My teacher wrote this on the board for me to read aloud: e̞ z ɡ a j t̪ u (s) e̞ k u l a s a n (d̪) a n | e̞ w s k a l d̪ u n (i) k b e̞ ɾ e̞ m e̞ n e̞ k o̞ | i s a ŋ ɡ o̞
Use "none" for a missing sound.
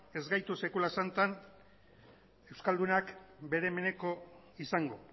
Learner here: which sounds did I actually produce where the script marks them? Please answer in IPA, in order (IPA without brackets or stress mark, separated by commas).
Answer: s, t̪, a